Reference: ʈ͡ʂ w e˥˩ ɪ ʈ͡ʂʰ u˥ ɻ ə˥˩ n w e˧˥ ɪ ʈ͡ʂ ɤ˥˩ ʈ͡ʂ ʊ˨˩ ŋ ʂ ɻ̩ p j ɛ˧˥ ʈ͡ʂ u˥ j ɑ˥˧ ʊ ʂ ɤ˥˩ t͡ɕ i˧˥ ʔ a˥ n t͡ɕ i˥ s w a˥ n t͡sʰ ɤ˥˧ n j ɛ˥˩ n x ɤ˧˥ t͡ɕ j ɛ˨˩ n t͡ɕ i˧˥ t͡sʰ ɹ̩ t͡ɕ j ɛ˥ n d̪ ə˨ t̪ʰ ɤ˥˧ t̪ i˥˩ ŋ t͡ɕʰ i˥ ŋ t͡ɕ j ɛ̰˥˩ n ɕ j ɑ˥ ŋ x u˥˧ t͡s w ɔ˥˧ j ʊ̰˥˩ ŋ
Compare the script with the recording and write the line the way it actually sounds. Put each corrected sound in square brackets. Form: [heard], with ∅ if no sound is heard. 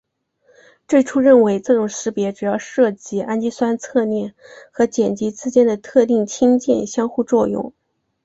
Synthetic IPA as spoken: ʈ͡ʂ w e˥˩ ɪ ʈ͡ʂʰ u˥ ɻ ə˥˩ n w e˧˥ ɪ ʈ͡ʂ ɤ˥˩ ʈ͡ʂ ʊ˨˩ ŋ ʂ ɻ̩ p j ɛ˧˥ ʈ͡ʂ [u˨˩] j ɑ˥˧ ʊ ʂ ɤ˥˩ t͡ɕ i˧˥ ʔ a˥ n t͡ɕ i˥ s w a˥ n t͡sʰ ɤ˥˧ n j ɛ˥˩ n x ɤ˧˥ t͡ɕ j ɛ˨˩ n t͡ɕ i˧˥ [t͡s] ɹ̩ t͡ɕ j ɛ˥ n d̪ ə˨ t̪ʰ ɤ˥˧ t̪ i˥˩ ŋ t͡ɕʰ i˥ ŋ t͡ɕ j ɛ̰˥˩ n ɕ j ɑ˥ ŋ x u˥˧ t͡s w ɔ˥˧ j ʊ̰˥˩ ŋ